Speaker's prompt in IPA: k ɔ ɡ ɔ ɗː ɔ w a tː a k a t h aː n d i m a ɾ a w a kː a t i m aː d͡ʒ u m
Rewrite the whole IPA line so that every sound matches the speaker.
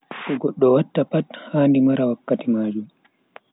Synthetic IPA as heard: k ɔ ɡ ɔ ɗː ɔ w a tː a p a t h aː n d i m a ɾ a w a kː a t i m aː d͡ʒ u m